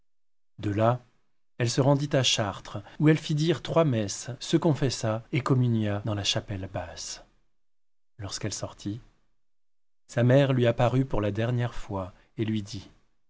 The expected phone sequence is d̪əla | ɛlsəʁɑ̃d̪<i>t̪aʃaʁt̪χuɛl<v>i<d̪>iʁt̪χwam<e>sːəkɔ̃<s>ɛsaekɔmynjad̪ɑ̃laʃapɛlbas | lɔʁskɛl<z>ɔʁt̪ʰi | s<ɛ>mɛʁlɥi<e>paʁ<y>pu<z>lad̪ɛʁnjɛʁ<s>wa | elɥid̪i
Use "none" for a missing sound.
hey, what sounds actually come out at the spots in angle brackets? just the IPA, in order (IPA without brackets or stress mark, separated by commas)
i, f, d̪, ɛ, f, s, a, a, y, ʁ, f